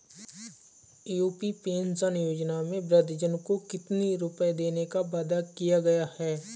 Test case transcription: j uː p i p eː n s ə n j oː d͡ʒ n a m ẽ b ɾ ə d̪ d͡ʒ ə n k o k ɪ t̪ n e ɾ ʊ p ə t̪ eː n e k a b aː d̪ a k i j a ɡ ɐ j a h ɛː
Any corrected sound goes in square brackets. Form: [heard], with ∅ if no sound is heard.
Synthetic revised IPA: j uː p i p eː n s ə n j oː d͡ʒ n a m ẽ b ɾ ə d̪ d͡ʒ ə n k o k ɪ t̪ n [i] ɾ ʊ p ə [d̪] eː n e k a b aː d̪ a k i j a ɡ ɐ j a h ɛː